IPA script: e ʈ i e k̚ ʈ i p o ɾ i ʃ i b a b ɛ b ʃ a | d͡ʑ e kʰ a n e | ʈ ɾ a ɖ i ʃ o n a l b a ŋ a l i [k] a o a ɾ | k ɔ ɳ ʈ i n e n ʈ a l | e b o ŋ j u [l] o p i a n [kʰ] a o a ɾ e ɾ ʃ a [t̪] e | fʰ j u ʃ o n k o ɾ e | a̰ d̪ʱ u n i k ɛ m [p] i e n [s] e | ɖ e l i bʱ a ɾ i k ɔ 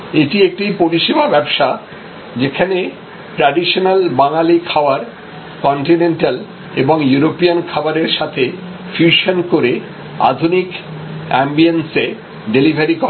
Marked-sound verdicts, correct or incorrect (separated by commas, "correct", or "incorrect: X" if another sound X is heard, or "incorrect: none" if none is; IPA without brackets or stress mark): incorrect: kʰ, incorrect: ɾ, correct, incorrect: t̪ʰ, incorrect: b, correct